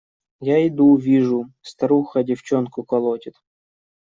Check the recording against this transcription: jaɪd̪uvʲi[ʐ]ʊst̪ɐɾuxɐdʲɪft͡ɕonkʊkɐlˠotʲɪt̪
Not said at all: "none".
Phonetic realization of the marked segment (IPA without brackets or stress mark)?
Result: ʐ